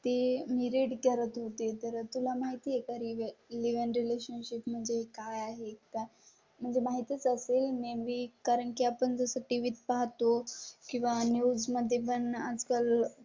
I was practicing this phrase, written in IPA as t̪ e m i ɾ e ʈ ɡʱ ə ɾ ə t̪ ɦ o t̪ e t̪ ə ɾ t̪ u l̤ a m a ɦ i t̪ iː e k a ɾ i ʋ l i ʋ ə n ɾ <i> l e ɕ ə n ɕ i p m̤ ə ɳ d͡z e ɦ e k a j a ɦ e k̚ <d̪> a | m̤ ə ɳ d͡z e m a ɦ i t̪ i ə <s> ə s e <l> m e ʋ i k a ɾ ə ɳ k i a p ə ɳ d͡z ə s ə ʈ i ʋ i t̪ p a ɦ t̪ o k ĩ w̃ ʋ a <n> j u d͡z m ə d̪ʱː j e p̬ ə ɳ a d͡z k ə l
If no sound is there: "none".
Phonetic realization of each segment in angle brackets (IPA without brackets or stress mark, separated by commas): i, t̪, t͡s, l, n